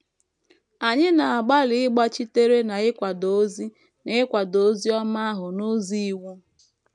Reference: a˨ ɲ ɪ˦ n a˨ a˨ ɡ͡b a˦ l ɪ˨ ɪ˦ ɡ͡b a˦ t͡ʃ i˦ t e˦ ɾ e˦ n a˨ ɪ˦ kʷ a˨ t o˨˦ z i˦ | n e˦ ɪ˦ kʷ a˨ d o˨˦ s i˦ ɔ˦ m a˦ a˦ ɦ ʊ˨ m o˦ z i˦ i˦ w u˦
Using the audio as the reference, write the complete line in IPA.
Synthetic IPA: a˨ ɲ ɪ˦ n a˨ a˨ ɡ͡b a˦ l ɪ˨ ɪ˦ ɡ͡b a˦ t͡ʃ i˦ t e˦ ɾ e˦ n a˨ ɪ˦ kʷ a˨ d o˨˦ z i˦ | n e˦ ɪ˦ kʷ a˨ d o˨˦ z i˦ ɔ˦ m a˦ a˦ ɦ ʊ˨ n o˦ z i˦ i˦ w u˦